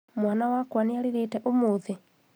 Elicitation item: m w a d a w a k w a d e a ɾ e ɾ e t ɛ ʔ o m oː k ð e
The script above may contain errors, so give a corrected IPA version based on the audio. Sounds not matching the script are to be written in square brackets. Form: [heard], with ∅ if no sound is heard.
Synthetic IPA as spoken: m w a [n] a w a k w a [n] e a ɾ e ɾ e t ɛ ʔ o m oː [∅] ð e